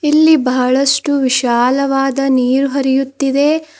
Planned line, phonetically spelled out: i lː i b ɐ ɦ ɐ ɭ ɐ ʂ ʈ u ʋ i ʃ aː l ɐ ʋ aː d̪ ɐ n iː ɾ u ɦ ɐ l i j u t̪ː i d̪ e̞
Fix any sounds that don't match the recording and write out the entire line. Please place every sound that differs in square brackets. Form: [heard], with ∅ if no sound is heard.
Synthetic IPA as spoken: i lː i b ɐ ɦ ɐ ɭ ɐ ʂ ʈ u ʋ i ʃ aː l ɐ ʋ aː d̪ ɐ n iː ɾ u ɦ ɐ [ɾ] i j u t̪ː i d̪ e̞